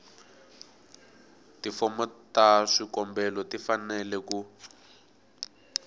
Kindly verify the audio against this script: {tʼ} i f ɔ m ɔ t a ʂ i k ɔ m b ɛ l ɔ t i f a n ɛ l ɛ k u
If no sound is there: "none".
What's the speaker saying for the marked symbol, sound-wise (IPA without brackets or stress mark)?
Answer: t